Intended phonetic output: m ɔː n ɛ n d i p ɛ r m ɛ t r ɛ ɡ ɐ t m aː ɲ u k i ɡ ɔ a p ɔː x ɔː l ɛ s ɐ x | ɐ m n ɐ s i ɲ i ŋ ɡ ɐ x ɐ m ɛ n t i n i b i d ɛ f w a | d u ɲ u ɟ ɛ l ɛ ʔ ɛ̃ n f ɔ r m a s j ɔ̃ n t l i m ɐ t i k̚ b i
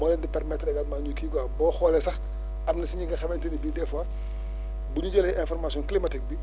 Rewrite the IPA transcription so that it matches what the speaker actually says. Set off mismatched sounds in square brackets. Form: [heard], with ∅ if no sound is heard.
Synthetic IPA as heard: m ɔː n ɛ n d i p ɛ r m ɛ t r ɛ ɡ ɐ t m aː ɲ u k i ɡ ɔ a [b] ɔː x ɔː l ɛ s ɐ x | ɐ m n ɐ s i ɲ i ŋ ɡ ɐ x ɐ m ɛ n t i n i b i d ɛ f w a | [b] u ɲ u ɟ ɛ l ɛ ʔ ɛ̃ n f ɔ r m a s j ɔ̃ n [k] l i m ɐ t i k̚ b i

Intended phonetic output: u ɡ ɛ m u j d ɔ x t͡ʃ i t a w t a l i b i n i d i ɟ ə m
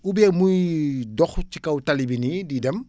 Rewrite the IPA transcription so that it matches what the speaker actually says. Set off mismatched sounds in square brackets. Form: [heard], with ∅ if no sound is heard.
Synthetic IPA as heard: u [b] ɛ m u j d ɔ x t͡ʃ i [k] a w t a l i b i n i d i [d] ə m

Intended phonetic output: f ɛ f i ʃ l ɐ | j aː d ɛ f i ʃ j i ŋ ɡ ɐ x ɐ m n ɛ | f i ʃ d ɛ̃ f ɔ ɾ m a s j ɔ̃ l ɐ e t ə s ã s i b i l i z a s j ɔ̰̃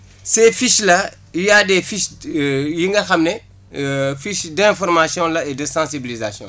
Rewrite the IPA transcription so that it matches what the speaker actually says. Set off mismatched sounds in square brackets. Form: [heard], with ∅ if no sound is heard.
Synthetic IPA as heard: [s] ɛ f i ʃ l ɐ | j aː d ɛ f i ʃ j i ŋ ɡ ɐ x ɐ m n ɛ | f i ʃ d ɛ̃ f ɔ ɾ m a s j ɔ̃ l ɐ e [d] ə s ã s i b i l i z a s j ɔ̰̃

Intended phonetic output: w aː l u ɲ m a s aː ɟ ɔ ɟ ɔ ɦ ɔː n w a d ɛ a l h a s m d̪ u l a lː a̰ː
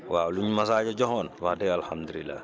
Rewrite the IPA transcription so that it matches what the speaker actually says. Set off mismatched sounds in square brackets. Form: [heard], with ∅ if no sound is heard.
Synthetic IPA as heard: w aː l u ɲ m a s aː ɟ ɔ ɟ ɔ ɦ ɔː n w a d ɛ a l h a [∅] m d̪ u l [i] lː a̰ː

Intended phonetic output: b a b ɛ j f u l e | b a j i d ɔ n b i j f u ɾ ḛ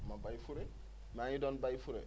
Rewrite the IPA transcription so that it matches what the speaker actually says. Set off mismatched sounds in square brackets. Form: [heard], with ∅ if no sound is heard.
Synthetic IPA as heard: [m] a b [a] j f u [ɾ] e | [m] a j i d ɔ n b [a] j f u ɾ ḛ

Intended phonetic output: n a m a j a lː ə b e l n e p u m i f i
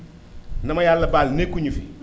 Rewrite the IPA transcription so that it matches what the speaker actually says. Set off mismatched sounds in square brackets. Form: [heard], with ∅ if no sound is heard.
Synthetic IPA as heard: n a m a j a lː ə b [a] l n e [k] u [ɲ] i f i

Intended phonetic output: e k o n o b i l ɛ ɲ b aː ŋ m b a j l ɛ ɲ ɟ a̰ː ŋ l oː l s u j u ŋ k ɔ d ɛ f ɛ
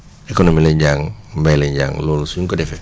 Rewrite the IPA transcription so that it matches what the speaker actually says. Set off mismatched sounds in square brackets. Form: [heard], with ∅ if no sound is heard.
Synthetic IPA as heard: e k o n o [m] i l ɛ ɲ [ɟ] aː ŋ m b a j l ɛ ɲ ɟ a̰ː ŋ l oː l s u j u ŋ k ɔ d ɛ f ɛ

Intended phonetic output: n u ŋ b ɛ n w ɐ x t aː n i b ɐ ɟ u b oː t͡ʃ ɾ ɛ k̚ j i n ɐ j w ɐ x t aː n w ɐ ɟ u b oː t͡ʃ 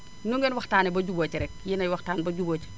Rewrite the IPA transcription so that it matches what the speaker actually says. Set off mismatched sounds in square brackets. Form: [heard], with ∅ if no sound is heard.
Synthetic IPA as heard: n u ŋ [ɡ] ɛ n w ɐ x t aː n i b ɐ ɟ u b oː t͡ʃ ɾ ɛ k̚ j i n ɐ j w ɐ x t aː n [b] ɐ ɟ u b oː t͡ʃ

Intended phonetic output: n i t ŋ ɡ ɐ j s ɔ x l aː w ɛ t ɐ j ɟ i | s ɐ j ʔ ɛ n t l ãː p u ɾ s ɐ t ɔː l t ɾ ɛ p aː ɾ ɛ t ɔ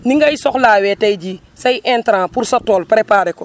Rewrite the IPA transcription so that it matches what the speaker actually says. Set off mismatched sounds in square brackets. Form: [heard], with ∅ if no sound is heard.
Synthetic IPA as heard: n i [∅] ŋ ɡ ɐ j s ɔ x l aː w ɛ t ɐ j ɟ i | s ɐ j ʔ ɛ n t [ɾ] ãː p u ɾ s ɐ t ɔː l [p] ɾ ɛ p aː ɾ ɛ [k] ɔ

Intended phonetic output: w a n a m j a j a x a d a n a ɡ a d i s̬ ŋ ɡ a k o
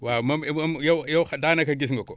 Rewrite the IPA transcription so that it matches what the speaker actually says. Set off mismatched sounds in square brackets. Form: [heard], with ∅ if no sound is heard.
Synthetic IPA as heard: w a [m] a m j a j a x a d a n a [k] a [ɡ] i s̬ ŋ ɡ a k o

